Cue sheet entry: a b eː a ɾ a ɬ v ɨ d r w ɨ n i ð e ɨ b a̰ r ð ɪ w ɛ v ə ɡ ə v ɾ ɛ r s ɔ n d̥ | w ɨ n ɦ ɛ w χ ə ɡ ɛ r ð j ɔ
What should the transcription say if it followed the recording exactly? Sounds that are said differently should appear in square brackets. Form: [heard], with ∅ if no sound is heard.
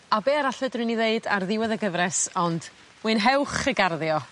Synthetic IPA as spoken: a b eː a ɾ a ɬ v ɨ d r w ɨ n i ð e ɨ [d] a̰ r ð ɪ w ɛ [ð] ə ɡ ə v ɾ ɛ [∅] s ɔ n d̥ | w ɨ n ɦ ɛ w χ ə ɡ [a] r ð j ɔ